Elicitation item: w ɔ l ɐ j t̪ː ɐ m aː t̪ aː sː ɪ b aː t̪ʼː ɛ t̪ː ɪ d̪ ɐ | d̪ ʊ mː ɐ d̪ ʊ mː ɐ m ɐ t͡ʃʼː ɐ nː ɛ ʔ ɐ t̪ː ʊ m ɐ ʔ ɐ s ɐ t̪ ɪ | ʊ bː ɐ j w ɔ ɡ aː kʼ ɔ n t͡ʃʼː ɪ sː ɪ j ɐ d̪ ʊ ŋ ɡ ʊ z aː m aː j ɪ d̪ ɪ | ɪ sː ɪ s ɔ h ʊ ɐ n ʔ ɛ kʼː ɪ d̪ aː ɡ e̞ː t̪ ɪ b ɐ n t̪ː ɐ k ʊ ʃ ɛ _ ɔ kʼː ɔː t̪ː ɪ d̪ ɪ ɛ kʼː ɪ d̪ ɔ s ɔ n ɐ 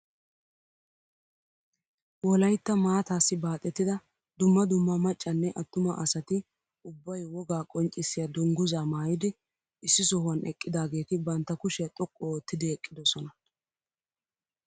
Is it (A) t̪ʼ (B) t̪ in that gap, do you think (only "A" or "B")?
A